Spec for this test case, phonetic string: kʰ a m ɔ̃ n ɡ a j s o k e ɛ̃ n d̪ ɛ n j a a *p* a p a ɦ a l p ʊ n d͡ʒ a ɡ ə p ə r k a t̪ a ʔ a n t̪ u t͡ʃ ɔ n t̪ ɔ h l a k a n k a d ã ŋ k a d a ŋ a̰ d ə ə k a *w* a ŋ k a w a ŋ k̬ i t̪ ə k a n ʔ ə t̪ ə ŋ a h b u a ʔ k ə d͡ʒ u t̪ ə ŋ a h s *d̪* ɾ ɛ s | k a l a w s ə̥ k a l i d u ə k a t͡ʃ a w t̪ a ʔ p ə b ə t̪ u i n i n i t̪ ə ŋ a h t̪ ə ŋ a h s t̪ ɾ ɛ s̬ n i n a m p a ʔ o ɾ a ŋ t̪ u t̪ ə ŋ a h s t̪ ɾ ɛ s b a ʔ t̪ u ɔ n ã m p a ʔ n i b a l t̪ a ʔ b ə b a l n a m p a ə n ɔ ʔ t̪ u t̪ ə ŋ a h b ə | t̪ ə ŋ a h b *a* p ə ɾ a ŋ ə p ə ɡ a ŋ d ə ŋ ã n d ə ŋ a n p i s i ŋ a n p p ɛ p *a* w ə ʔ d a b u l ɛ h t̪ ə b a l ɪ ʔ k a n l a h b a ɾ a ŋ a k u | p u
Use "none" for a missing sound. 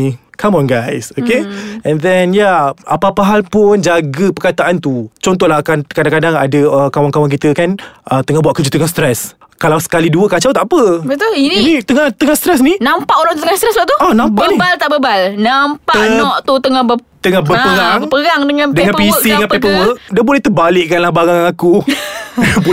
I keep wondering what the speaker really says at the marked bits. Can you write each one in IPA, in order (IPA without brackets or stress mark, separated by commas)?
p, w, t̪, ə, ə